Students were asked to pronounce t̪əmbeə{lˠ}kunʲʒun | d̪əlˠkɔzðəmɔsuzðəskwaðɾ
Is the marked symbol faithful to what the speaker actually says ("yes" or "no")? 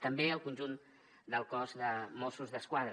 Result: yes